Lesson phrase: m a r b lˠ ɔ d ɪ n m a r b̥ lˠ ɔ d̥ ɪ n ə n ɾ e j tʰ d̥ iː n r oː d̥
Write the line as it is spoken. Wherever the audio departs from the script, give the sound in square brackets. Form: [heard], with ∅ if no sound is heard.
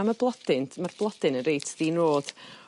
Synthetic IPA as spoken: m a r b lˠ ɔ d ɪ n m a r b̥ lˠ ɔ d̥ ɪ n ə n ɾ e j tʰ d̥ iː n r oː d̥